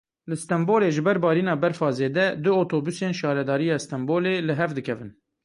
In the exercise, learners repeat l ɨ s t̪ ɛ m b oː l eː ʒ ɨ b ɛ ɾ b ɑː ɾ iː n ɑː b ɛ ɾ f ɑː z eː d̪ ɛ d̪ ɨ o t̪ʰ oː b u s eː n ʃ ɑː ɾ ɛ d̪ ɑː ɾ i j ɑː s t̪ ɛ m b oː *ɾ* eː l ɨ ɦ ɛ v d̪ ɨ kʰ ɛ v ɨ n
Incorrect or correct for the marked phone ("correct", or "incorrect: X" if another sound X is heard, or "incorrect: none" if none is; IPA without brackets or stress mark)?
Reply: incorrect: l